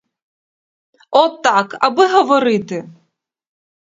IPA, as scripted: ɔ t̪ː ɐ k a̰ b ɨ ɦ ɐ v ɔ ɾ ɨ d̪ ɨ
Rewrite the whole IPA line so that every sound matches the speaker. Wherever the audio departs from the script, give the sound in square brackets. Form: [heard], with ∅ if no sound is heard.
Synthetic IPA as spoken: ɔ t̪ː [a] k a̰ b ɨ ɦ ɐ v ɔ ɾ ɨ [t̪] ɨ